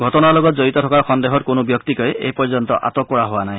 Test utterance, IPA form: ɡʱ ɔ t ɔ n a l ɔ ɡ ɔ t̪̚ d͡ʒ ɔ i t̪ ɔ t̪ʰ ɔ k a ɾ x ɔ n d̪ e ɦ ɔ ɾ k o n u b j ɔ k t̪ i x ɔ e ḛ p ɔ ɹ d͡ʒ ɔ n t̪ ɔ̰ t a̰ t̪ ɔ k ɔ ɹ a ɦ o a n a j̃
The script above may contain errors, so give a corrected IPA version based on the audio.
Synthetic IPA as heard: ɡʱ ɔ t ɔ n a l ɔ ɡ ɔ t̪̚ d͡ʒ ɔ i t̪ ɔ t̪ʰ ɔ k a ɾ x ɔ n d̪ e ɦ ɔ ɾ k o n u b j ɔ k t̪ i k ɔ e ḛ p ɔ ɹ d͡ʒ ɔ n t̪ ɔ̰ ʔ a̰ t̪ ɔ k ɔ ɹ a ɦ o a n a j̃